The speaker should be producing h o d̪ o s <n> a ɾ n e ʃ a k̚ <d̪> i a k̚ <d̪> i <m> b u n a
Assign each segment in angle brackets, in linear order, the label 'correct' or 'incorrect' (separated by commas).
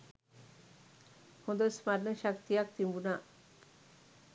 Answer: incorrect, incorrect, incorrect, correct